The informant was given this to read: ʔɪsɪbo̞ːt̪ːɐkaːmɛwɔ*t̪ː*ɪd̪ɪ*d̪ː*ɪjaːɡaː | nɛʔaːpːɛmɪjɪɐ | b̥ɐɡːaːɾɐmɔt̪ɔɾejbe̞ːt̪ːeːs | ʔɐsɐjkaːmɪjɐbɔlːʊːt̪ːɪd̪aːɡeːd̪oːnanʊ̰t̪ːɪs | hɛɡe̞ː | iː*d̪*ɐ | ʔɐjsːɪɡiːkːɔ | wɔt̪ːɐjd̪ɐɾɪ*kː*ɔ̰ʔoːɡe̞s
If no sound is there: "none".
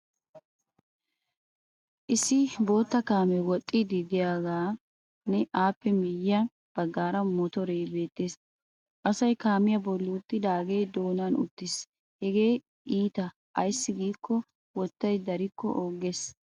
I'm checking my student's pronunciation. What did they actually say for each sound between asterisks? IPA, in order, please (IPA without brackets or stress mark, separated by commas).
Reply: t̪ʼː, d̪, t̪, kː